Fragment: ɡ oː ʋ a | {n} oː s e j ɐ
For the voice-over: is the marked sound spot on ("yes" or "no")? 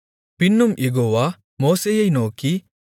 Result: no